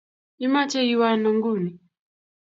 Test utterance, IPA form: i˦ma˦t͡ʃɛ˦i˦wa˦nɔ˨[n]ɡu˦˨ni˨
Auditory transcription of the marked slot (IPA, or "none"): ŋ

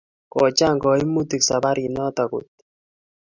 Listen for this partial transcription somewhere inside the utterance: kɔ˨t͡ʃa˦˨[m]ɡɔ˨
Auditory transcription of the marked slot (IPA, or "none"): ŋ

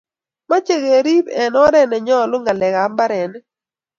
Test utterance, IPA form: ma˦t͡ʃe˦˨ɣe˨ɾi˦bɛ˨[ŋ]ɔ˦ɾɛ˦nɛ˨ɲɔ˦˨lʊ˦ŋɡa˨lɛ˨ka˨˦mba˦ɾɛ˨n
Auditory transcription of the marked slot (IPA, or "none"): n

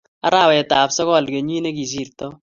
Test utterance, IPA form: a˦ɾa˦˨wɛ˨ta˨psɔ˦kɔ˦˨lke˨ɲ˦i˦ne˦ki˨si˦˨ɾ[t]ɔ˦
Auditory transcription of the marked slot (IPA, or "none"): t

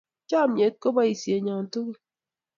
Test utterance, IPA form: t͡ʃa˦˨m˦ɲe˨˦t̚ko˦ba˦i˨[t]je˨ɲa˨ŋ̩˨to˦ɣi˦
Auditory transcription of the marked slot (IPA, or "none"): s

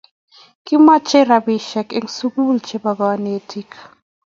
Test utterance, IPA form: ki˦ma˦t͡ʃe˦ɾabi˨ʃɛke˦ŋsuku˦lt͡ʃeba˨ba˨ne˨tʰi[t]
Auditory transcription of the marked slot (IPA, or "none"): k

